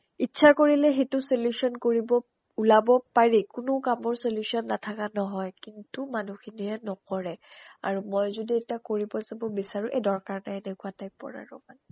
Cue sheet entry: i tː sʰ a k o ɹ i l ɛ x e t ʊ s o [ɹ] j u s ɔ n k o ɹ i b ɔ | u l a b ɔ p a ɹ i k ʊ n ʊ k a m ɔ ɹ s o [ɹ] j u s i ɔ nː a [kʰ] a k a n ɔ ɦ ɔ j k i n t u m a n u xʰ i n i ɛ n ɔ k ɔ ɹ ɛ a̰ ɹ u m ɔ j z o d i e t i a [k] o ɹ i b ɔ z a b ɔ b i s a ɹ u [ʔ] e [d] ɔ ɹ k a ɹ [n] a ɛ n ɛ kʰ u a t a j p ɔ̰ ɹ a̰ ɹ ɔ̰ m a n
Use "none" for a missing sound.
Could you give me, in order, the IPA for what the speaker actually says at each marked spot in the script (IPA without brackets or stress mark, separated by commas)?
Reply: l, l, tʰ, k, ʔ, d, n